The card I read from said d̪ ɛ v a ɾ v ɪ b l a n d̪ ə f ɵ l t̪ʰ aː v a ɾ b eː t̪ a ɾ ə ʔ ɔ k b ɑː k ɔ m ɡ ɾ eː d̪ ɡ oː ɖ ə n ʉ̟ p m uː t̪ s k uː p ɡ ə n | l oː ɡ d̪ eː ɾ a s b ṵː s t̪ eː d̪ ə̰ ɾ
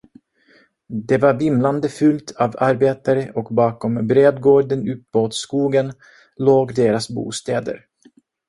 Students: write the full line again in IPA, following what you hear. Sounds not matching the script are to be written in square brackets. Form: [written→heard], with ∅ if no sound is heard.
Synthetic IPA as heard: d̪ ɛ v a ɾ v ɪ [b→m] l a n d̪ ə f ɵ l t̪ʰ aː v a ɾ b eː t̪ a ɾ ə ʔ ɔ k b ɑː k ɔ m [ɡ→b] ɾ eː d̪ ɡ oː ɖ ə n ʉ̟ p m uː t̪ s k uː [p→∅] ɡ ə n | l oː ɡ d̪ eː ɾ a s b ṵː s t̪ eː d̪ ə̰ ɾ